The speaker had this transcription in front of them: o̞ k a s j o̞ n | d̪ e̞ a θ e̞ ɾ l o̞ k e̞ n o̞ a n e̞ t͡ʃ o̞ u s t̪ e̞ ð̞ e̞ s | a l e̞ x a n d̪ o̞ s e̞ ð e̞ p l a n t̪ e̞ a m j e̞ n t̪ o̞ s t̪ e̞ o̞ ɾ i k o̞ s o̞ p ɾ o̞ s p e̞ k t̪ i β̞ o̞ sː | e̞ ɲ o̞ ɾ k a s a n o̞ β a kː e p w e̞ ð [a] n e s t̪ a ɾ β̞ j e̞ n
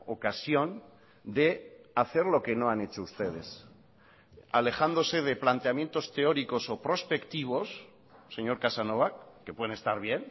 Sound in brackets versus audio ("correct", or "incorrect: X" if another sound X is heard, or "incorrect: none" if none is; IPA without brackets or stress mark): incorrect: e